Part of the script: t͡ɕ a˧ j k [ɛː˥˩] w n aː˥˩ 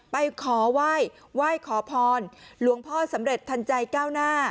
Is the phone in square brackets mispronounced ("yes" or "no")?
yes